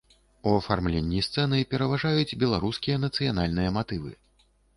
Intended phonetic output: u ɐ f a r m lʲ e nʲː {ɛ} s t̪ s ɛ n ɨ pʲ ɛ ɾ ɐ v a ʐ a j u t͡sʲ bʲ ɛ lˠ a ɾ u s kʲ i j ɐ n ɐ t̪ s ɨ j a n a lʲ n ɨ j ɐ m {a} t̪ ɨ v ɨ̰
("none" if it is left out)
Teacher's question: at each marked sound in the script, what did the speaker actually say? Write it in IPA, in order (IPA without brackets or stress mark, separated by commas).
i, a